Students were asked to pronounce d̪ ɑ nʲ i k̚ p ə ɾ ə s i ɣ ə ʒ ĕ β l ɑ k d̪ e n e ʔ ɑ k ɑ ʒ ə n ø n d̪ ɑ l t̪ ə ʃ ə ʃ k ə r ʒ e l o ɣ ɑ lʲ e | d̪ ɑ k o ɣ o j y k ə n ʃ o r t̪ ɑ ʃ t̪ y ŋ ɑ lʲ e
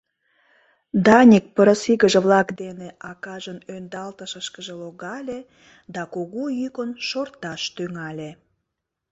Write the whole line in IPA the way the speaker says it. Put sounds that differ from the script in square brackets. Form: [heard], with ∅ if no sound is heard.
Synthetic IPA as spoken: d̪ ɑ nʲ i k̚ p ə ɾ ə s i ɣ ə ʒ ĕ β l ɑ k d̪ e n e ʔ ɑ k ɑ ʒ ə n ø n d̪ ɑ l t̪ ə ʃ ə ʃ k ə [∅] ʒ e l o ɣ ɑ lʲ e | d̪ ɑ k o ɣ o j y k ə n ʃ o r t̪ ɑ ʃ t̪ y ŋ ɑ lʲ e

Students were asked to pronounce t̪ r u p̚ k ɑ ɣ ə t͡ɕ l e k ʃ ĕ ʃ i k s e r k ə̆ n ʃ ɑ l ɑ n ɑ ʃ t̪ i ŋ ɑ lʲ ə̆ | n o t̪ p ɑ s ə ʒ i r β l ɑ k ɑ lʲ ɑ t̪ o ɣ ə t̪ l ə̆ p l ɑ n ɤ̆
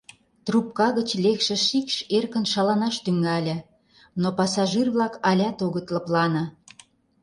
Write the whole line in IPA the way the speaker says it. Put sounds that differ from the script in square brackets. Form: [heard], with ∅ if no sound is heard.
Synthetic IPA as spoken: t̪ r u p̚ k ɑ ɣ ə t͡ɕ l e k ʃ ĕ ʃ i k [ʃ] e r k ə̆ n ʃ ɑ l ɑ n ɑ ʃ t̪ [y] ŋ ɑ lʲ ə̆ | n o [∅] p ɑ s [ɑ] ʒ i r β l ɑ k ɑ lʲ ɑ t̪ o ɣ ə t̪ l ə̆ p l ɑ n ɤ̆

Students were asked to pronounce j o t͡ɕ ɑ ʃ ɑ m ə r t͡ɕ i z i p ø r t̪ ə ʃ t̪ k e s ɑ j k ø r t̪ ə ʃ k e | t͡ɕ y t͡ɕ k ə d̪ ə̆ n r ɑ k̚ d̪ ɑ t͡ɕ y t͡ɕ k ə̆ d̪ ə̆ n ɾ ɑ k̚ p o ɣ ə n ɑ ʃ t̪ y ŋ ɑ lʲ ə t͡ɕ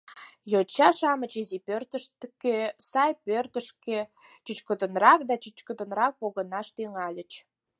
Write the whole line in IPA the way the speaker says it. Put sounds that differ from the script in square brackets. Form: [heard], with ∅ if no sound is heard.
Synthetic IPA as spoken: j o t͡ɕ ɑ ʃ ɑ m ə [∅] t͡ɕ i z i p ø r t̪ ə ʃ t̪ k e s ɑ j [p] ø r t̪ ə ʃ k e | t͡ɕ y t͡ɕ k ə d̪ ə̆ n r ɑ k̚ d̪ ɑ t͡ɕ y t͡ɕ k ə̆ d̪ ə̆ n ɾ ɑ k̚ p o ɣ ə n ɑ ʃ t̪ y ŋ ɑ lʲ ə t͡ɕ

